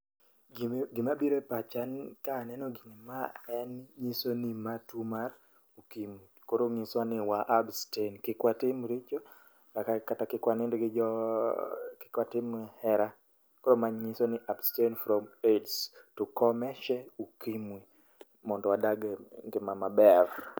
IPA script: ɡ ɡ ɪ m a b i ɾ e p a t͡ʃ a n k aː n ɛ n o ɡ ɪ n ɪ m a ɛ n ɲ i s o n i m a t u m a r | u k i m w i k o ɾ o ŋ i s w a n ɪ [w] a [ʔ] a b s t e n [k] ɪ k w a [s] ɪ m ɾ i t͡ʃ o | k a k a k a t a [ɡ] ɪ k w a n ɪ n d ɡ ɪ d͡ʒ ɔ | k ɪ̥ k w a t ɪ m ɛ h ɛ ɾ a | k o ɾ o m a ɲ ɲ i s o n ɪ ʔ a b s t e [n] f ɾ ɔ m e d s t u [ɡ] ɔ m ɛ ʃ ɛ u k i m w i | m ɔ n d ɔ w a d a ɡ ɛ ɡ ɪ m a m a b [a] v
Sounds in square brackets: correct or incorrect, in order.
correct, correct, correct, incorrect: t, incorrect: k, correct, incorrect: k, incorrect: ɛ

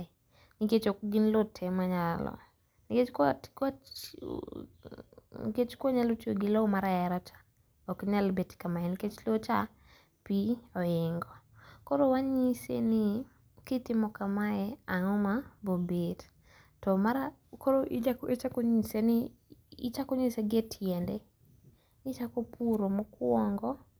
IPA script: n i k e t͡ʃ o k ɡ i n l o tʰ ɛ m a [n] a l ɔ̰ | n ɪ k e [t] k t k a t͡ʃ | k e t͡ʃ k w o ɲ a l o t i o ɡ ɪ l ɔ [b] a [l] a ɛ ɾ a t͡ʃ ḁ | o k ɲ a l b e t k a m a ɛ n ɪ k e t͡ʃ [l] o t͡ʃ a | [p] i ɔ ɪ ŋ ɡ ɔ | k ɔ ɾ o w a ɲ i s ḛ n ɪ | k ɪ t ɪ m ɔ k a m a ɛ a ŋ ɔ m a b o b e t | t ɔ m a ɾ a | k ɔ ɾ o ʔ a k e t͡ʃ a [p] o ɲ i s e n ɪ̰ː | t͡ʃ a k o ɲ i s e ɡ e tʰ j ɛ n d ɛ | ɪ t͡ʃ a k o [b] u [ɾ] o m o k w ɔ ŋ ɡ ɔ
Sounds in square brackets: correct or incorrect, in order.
incorrect: ɲ, incorrect: t͡ʃ, incorrect: m, incorrect: ɾ, correct, correct, incorrect: k, incorrect: p, correct

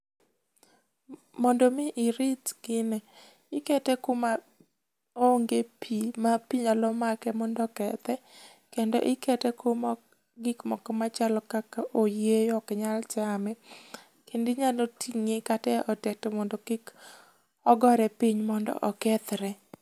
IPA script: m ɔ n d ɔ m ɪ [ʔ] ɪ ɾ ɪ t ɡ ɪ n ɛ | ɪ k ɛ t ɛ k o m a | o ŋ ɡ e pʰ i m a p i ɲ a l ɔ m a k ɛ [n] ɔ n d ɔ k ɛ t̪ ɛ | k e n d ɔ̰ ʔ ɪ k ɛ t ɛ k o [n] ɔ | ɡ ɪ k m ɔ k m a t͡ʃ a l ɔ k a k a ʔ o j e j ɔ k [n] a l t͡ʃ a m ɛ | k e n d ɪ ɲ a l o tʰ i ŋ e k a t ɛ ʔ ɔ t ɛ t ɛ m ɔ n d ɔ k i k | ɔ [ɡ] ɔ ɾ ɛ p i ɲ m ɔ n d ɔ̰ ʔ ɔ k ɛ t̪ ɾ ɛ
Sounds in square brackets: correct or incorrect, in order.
correct, incorrect: m, incorrect: m, incorrect: ɲ, correct

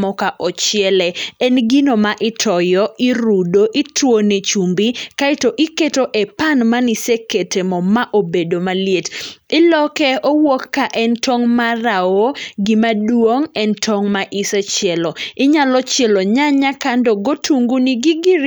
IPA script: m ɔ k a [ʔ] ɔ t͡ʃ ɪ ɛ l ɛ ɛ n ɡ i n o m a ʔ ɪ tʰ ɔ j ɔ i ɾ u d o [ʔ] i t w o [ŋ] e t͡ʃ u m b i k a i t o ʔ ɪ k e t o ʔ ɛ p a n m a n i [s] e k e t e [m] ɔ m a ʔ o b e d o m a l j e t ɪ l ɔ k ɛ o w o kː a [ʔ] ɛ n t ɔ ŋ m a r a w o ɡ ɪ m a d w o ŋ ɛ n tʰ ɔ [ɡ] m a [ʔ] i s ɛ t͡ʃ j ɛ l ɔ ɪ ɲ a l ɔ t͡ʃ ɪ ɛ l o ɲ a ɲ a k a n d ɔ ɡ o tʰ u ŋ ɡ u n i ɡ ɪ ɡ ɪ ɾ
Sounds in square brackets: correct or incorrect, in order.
correct, correct, incorrect: n, correct, correct, correct, incorrect: ŋ, correct

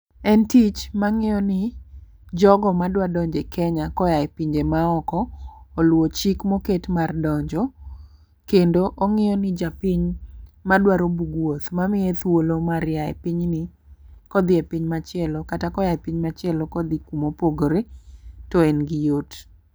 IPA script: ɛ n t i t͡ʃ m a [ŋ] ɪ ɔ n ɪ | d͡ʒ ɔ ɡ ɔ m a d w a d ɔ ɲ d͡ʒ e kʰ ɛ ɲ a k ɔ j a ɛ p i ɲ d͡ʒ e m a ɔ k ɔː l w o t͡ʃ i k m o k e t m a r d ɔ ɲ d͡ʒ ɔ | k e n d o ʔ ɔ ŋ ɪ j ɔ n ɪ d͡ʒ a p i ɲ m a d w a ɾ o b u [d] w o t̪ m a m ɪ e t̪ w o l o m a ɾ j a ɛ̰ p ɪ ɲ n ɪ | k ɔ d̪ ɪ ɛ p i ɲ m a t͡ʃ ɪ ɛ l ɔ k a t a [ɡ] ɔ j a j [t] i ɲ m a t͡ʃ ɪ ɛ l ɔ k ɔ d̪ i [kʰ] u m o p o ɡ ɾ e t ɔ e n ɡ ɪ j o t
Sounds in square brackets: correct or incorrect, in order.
correct, incorrect: ɡ, incorrect: k, incorrect: p, incorrect: k

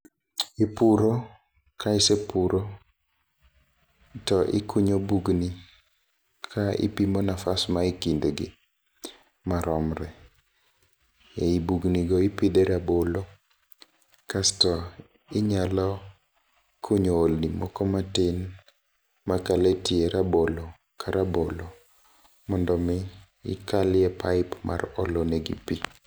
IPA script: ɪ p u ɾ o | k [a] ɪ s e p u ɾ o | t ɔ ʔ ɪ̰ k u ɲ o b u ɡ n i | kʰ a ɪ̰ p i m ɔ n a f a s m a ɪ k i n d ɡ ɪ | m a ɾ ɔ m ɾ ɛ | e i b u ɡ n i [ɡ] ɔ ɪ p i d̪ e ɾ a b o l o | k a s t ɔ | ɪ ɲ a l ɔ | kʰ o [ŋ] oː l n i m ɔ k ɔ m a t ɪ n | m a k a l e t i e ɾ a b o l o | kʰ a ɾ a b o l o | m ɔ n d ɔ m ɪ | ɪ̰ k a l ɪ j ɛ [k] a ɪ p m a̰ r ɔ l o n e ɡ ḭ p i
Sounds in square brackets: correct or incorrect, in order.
correct, correct, incorrect: ɲ, incorrect: p

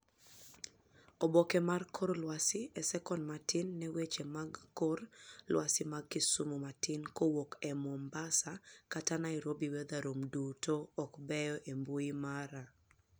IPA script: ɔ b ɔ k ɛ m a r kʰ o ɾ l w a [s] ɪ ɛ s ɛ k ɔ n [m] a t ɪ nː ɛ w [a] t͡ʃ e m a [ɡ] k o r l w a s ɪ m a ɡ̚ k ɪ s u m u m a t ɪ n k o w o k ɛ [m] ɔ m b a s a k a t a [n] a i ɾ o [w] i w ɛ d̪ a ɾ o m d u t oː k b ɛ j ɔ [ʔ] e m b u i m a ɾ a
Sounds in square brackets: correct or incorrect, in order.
correct, correct, incorrect: e, correct, correct, correct, incorrect: b, correct

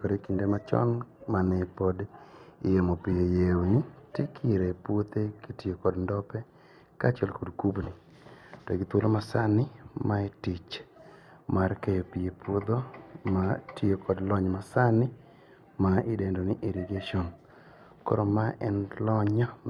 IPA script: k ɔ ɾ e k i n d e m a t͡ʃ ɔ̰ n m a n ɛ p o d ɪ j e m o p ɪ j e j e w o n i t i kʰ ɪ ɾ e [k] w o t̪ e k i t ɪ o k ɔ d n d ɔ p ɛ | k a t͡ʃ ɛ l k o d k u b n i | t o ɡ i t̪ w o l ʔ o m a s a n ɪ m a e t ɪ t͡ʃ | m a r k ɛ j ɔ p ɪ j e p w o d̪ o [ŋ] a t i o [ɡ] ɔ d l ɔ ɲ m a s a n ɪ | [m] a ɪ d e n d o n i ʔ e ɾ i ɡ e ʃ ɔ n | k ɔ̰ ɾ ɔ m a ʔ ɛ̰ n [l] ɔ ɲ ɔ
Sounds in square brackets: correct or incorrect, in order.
incorrect: p, incorrect: m, incorrect: k, correct, correct

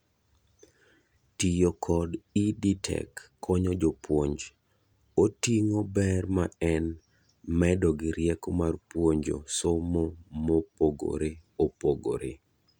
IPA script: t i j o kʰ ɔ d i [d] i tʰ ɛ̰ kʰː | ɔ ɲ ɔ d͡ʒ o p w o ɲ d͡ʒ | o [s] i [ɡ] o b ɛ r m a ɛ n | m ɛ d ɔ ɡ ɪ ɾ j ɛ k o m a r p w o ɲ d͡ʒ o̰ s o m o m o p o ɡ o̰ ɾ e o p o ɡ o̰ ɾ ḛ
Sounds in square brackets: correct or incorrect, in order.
correct, incorrect: t, incorrect: ŋ

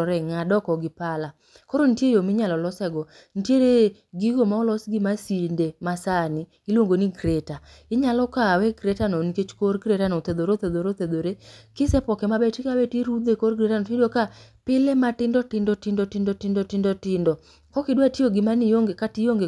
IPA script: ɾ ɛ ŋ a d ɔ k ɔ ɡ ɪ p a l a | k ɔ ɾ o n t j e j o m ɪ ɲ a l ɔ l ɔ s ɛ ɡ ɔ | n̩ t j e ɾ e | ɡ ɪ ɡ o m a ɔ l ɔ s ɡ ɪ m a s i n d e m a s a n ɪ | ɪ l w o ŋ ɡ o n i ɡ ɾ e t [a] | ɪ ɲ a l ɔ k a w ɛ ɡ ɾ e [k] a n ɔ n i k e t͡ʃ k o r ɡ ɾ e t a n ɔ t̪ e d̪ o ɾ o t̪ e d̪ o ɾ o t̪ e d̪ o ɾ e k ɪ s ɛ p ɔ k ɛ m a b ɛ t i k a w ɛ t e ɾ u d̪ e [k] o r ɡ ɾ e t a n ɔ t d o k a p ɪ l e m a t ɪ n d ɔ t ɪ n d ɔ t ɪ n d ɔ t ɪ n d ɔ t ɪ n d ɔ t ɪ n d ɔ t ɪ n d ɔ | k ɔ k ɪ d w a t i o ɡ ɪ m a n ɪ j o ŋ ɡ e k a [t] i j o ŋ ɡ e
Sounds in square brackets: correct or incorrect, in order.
correct, incorrect: t, correct, correct

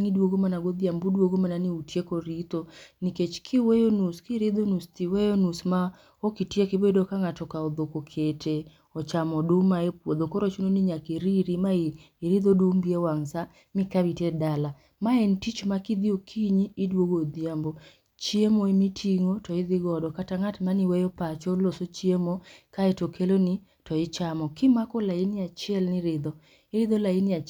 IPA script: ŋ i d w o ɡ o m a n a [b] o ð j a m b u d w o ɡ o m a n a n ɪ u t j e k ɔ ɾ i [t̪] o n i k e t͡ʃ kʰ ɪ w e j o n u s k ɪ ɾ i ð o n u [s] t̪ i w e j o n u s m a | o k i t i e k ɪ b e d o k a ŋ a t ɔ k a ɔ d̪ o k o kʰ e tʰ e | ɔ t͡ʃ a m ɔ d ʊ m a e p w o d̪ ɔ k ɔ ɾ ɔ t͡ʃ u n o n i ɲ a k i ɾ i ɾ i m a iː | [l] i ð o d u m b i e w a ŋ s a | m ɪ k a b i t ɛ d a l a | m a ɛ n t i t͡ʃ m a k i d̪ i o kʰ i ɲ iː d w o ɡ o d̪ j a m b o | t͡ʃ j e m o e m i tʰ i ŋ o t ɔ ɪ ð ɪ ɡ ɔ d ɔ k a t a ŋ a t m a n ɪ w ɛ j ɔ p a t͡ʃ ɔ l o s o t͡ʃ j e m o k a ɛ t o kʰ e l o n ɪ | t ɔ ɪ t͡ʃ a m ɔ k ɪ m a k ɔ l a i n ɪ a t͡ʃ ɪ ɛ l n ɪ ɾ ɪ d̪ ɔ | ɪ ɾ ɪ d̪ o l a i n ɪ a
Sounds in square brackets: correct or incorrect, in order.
incorrect: ɡ, correct, correct, incorrect: ɾ

